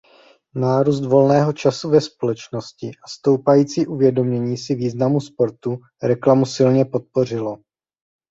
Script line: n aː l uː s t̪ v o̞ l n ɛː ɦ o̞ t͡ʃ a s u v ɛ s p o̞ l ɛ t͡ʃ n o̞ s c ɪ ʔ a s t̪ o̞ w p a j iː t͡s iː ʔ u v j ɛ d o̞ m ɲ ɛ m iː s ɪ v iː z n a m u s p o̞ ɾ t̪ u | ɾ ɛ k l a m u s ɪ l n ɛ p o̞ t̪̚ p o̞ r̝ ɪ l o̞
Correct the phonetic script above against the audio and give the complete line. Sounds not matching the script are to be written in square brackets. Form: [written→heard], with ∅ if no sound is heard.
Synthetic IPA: n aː [l→ɾ] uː s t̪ v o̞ l n ɛː ɦ o̞ t͡ʃ a s u v ɛ s p o̞ l ɛ t͡ʃ n o̞ s c ɪ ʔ a s t̪ o̞ w p a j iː t͡s iː ʔ u v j ɛ d o̞ m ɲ ɛ [m→ɲ] iː s ɪ v iː z n a m u s p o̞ ɾ t̪ u | ɾ ɛ k l a m u s ɪ l [n→ɲ] ɛ p o̞ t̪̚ p o̞ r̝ ɪ l o̞